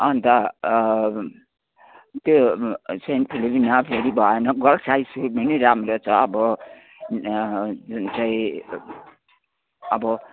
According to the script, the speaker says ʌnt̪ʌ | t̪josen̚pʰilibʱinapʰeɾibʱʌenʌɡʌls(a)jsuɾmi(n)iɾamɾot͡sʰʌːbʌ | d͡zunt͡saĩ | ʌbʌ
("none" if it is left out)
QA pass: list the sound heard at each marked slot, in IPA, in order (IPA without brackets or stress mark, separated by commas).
a, n